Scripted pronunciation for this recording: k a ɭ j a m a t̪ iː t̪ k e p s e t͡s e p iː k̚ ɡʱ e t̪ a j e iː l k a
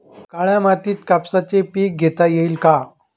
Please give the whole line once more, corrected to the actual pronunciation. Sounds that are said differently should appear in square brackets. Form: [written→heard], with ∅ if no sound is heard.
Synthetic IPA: k a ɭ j a m a t̪ iː t̪ k [e→a] p s [e→a] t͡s e p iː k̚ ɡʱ e t̪ a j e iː l k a